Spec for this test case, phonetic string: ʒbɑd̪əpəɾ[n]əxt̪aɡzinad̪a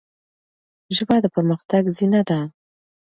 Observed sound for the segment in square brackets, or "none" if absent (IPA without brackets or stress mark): m